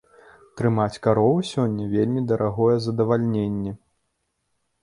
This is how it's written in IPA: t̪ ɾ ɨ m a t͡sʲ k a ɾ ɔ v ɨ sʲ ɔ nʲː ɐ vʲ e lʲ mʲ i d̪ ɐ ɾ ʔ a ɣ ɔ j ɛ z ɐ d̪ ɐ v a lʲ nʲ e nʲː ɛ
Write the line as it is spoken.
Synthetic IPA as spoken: t̪ ɾ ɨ m a t͡sʲ k a ɾ ɔ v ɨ sʲ ɔ nʲː ɐ vʲ e lʲ mʲ i d̪ ɐ ɾ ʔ a ɣ ɔ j ɛ z ɐ d̪ ɐ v a lʲ nʲ e nʲː ɛ